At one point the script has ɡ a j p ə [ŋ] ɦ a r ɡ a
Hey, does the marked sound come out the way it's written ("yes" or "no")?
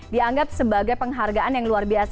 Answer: yes